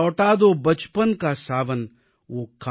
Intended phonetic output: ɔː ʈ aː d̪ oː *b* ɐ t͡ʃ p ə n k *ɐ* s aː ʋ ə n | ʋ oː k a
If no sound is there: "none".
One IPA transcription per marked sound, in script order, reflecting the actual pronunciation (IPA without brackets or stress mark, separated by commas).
b, a